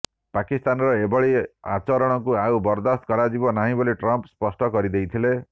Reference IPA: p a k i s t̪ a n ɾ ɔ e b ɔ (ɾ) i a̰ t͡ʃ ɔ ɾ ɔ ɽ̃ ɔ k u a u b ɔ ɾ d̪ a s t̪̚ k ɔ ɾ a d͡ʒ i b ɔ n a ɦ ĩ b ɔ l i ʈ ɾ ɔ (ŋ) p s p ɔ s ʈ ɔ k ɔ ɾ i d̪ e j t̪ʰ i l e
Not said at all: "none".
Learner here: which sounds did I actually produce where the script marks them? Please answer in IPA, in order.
ɭ, m

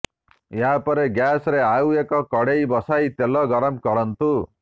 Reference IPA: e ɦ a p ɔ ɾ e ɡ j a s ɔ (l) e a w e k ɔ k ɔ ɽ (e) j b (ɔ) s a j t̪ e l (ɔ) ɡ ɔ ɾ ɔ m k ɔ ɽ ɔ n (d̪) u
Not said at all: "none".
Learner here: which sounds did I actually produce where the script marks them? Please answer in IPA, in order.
ɾ, e, ɔ, ɔ, t̪

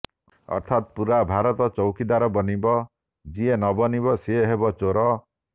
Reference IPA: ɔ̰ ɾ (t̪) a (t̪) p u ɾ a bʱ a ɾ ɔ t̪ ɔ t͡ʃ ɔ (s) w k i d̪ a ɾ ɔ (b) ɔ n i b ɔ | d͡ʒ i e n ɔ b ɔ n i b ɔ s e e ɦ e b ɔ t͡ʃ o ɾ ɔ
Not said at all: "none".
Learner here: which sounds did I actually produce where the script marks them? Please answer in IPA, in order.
t̪ʰ, t̪, none, b

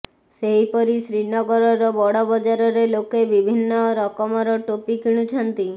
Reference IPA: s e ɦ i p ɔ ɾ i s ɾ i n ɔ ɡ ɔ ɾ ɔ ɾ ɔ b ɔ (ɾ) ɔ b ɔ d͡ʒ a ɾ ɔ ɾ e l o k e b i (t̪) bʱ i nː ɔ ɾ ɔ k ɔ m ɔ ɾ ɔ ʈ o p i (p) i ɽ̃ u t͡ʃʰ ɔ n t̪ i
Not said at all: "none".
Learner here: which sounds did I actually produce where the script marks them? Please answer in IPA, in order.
ɽ, none, k

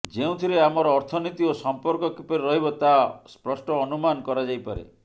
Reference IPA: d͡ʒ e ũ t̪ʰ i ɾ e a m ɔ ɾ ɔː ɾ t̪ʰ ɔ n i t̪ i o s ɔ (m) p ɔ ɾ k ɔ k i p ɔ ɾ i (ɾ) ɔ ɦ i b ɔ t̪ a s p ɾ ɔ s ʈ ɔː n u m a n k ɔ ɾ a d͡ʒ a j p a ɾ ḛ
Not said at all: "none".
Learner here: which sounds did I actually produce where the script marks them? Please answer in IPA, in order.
m, ɾ

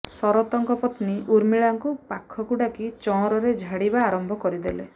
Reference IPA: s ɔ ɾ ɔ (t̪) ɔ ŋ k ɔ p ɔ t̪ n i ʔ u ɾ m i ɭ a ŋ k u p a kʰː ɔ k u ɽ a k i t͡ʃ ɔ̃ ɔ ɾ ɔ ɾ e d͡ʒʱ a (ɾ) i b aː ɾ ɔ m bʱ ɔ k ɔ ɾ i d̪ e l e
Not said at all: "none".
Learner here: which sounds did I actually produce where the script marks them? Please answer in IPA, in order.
t̪, ɽ

